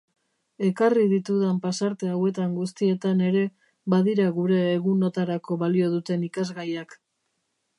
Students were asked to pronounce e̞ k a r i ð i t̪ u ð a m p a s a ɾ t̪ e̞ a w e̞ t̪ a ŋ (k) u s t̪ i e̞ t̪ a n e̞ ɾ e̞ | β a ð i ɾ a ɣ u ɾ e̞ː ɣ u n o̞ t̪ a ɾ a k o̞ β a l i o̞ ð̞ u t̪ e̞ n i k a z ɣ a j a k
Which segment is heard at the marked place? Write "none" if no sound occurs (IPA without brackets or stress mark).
ɡ